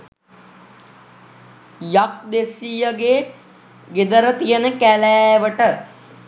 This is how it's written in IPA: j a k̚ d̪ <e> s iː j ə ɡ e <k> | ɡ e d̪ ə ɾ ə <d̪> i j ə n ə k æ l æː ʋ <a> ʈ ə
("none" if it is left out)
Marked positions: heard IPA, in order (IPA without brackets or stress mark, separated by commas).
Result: e, none, t̪, ə